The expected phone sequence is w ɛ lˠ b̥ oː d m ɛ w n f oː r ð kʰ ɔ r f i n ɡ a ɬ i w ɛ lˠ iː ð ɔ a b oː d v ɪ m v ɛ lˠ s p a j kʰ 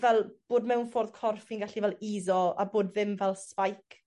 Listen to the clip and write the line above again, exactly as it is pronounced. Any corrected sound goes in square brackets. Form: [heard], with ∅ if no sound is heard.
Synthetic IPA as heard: [v] ɛ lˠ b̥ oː d m ɛ w n f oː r ð kʰ ɔ r f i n ɡ a ɬ i [v] ɛ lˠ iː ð ɔ a b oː d v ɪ m v ɛ lˠ s p a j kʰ

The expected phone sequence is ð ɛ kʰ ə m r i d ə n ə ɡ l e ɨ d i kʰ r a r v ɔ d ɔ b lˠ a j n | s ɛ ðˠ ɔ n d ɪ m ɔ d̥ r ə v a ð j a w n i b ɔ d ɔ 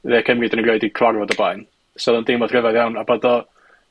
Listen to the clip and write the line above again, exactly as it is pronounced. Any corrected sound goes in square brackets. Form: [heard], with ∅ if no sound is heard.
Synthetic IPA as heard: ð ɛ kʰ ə m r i d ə n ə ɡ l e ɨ d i kʰ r a r v ɔ d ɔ b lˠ a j n | s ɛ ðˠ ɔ n d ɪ m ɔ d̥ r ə v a ð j a w n [a] b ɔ d ɔ

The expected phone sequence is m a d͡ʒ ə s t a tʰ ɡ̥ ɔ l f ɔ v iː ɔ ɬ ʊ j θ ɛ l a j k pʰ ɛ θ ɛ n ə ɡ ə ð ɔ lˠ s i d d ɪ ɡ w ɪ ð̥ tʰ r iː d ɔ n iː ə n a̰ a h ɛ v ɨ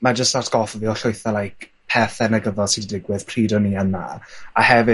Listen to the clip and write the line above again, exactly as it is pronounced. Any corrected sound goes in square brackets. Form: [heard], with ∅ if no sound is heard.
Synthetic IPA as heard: m a d͡ʒ ə s t a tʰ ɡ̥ ɔ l f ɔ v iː ɔ ɬ ʊ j θ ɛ l a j k pʰ ɛ θ ɛ n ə ɡ ə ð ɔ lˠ s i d d ɪ ɡ w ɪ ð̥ [pʰ] r iː d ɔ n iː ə n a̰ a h ɛ v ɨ

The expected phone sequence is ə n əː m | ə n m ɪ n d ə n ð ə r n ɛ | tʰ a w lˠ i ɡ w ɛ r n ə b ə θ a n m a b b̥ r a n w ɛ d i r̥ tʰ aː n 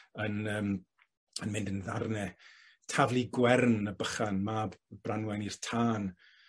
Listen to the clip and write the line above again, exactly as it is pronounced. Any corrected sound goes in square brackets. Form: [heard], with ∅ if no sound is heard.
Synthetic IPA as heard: ə n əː m | ə n m ɪ n d ə n ð [a] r n ɛ | tʰ a [v] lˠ i ɡ w ɛ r n ə b ə [χ] a n m a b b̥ r a n w ɛ [n] i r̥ tʰ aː n

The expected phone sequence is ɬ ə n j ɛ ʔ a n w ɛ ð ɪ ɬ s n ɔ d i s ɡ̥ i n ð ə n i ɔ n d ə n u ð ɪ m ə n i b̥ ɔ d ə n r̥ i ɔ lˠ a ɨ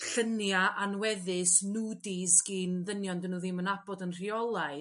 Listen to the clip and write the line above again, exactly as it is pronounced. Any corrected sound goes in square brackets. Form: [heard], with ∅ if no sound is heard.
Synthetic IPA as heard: ɬ ə n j [a] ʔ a n w ɛ ð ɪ [∅] s n [u] d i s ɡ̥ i n ð ə n [j] ɔ n d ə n u ð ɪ m ə n [a] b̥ ɔ d ə n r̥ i ɔ lˠ a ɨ

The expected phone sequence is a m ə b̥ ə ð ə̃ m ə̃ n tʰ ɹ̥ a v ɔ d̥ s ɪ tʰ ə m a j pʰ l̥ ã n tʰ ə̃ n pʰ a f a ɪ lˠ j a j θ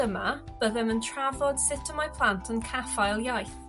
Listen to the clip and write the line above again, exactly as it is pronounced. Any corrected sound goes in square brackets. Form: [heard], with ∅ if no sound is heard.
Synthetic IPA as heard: [ə] m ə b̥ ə ð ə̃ m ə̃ n tʰ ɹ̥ a v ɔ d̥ s ɪ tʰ ə m a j pʰ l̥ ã n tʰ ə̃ n [kʰ] a f a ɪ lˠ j a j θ

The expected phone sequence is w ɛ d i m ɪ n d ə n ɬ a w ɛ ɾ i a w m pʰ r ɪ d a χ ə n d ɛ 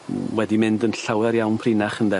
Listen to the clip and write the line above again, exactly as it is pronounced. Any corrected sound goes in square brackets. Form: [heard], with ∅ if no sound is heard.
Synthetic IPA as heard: w ɛ d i m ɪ n d ə n ɬ a w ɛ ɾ [j] a w [n] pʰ r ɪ [n] a χ ə n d ɛ

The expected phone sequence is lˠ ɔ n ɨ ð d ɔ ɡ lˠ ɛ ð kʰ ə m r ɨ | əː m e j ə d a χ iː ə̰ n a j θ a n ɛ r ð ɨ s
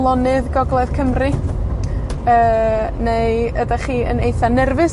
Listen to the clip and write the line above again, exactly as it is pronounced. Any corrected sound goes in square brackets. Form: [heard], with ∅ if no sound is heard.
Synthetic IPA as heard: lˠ ɔ n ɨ ð [ɡ] ɔ ɡ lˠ ɛ ð kʰ ə m r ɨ | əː [n] e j ə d a χ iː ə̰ n [e] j θ a n ɛ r [v] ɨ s

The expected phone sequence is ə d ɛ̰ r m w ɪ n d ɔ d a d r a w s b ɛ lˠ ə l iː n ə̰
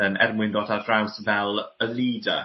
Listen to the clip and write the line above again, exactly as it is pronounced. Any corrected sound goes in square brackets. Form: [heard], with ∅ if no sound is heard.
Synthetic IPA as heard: ə [n] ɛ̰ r m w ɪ n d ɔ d a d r a w s [v] ɛ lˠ ə l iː [d] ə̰

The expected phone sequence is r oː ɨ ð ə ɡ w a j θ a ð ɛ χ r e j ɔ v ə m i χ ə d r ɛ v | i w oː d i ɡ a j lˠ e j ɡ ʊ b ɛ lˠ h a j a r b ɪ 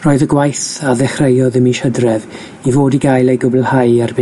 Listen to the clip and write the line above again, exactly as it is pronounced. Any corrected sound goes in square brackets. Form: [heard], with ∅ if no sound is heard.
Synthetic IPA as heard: r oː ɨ ð ə ɡ w a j θ a ð ɛ χ r e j ɔ [ð] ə m i [ʃ] ə d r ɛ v | i [v] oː d i ɡ a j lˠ e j ɡ ʊ b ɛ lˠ h a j a r b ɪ

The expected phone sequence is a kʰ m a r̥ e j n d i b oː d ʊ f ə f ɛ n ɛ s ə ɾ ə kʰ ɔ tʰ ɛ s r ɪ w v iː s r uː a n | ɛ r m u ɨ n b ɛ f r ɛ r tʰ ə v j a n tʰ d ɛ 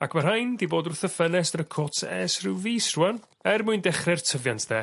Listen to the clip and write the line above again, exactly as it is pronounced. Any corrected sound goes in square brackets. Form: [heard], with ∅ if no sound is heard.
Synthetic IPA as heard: a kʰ m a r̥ [a] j n d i b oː d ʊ [θ] ə f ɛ n ɛ s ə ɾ ə kʰ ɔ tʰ ɛ s r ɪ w v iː s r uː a n | ɛ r m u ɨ n [d] ɛ [χ] r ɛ r tʰ ə v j a n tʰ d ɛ

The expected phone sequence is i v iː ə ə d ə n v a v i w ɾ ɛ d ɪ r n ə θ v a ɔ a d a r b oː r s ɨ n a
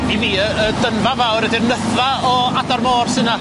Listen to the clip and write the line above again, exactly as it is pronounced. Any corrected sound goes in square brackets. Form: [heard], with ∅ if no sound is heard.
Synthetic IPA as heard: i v iː ə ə d ə n v a v [a] w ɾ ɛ d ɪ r n ə θ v a ɔ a d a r [m] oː r s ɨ n a

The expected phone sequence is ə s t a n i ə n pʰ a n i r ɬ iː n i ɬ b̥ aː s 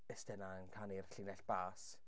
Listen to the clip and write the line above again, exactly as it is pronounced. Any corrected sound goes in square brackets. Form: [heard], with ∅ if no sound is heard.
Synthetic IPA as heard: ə s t [ɛ] n [a] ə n [kʰ] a n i r ɬ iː n [ɛ] ɬ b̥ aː s

